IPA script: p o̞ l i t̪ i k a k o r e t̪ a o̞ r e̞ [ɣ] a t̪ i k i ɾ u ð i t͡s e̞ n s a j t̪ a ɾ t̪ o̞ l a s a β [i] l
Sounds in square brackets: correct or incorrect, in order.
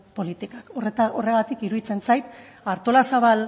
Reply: correct, incorrect: a

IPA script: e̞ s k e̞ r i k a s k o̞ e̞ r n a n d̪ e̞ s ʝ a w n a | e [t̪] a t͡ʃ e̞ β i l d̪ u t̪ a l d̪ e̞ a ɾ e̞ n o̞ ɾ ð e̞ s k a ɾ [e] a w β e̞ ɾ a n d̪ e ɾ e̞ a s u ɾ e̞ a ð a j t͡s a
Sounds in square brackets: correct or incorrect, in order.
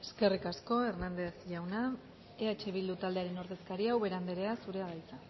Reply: incorrect: none, incorrect: i

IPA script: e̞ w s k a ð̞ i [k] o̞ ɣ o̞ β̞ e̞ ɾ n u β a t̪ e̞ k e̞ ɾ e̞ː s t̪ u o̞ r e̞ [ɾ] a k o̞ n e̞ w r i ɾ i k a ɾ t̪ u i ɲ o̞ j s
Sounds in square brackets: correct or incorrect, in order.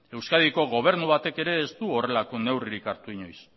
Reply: correct, incorrect: l

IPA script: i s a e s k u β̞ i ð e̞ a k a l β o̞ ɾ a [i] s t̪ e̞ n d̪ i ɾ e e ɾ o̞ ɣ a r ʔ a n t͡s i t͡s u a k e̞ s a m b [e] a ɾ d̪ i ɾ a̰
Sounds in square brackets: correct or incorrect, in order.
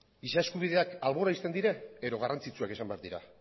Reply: correct, correct

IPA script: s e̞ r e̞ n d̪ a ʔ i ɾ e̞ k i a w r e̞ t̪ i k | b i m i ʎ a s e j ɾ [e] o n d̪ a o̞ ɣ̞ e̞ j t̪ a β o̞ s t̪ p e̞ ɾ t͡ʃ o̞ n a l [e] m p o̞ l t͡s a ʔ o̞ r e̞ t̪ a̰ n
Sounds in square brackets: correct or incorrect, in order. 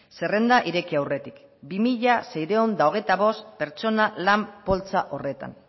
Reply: correct, incorrect: a

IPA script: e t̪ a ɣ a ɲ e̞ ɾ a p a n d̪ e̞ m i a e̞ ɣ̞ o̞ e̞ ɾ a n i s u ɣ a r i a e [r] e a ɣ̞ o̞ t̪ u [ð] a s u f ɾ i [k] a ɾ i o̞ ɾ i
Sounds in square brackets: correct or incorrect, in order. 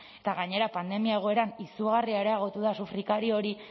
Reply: incorrect: ɾ, correct, correct

